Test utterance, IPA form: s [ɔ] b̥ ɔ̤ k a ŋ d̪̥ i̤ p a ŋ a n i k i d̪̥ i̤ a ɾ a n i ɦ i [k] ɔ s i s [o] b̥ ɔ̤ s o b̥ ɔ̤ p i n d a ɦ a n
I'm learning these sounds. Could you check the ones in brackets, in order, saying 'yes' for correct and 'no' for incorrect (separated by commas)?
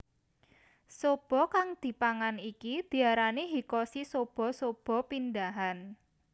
no, yes, yes